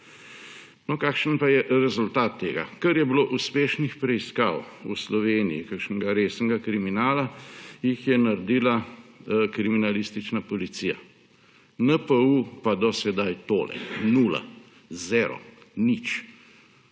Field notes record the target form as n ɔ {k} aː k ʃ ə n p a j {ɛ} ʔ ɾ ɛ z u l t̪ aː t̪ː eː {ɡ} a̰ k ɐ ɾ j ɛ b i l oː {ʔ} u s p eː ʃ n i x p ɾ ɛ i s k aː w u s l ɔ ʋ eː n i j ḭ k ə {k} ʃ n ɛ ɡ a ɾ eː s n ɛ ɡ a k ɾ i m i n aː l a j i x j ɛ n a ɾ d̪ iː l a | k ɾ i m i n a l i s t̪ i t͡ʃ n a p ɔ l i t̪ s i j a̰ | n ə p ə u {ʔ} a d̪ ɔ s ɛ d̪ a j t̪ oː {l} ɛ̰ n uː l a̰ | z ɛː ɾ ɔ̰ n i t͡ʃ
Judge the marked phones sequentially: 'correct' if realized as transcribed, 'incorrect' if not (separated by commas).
correct, correct, correct, correct, correct, incorrect, correct